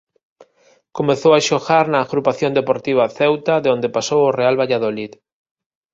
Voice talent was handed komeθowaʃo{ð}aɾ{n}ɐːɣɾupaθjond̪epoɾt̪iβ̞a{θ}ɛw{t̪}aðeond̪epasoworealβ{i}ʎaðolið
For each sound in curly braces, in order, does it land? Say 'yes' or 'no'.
no, yes, yes, yes, no

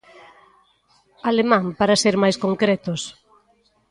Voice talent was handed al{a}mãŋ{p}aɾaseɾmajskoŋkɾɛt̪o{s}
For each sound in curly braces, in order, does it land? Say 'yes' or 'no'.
no, yes, yes

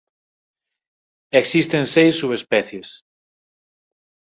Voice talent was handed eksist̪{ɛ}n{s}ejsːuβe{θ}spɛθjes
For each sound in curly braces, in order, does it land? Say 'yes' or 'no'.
no, yes, no

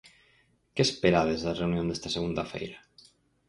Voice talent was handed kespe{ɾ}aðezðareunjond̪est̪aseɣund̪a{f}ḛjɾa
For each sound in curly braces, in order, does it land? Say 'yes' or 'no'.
yes, yes

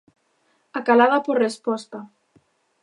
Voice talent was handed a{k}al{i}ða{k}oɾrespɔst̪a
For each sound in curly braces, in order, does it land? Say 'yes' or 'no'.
yes, no, no

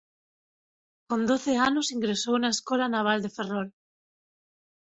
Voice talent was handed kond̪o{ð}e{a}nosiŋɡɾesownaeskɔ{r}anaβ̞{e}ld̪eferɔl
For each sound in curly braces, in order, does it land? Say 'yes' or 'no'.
no, yes, no, no

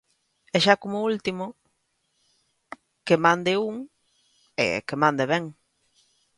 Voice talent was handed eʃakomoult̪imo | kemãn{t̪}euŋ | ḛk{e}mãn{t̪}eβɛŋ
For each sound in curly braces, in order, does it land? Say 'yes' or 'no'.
no, yes, no

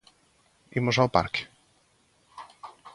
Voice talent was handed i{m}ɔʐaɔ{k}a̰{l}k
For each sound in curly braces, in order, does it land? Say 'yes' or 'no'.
yes, no, no

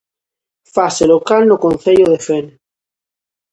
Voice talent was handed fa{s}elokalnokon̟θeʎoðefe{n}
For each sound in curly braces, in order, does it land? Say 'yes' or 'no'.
yes, yes

